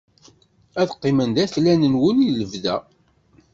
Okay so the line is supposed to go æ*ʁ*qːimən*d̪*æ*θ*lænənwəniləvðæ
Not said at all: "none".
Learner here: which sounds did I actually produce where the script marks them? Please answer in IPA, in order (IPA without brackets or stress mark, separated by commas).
ð, d̪, θ